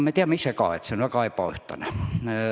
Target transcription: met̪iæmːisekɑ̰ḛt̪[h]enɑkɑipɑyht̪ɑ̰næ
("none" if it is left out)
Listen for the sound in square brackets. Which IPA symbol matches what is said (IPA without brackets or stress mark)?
s